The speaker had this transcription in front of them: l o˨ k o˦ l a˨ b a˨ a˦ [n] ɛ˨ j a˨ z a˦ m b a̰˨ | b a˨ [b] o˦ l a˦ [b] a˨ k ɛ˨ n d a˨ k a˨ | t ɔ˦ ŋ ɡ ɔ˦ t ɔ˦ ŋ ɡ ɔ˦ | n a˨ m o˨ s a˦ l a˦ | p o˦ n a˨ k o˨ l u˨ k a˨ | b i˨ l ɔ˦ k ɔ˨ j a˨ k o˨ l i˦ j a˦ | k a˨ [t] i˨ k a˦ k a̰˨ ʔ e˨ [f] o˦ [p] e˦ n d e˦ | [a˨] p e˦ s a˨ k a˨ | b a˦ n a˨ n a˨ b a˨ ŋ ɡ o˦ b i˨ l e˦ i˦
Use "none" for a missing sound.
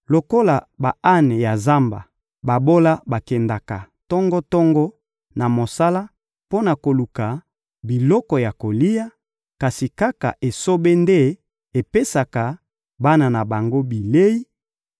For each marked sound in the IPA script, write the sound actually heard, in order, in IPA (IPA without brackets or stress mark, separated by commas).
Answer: n, b, b, s, s, b, e˨